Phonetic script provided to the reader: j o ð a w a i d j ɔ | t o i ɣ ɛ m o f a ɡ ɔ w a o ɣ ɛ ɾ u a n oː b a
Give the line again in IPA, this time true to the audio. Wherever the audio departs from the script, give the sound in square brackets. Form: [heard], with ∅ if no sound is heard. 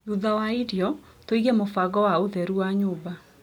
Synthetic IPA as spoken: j [u] ð a w a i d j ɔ | t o i ɣ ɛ m o f a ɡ ɔ w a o [ð] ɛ ɾ u a [ɲ] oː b a